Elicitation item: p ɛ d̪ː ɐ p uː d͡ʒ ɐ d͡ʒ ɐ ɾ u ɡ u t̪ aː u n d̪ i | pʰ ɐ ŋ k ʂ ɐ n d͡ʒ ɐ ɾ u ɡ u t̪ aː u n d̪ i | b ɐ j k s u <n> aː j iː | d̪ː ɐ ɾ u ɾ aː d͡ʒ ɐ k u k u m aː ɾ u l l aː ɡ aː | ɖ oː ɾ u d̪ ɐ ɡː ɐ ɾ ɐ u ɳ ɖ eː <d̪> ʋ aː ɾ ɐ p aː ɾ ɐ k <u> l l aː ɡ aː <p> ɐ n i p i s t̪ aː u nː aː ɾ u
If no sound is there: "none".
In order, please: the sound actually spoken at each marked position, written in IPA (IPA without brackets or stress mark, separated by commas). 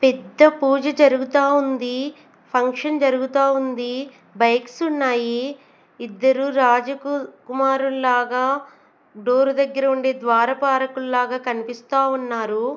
nː, d̪, u, k